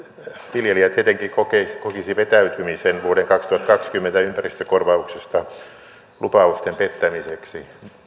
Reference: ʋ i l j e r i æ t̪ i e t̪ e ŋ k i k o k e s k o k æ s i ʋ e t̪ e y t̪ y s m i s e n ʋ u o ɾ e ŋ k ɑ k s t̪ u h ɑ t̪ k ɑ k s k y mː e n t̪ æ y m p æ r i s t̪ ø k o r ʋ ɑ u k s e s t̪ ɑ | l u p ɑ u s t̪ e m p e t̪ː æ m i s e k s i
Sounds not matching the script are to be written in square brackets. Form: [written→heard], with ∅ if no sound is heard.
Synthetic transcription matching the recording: ʋ i l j e [r→l] i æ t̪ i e t̪ e ŋ k i k o k e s k o k [æ→i] s i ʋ e t̪ [e→æ] y t̪ y [s→∅] m i s e n ʋ u o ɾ e ŋ k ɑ k s t̪ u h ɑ t̪ k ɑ k s k y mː e n t̪ æ y m p æ r i s t̪ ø k o r ʋ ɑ u k s e s t̪ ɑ | l u p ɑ u s t̪ e m p e t̪ː æ m i s e k s i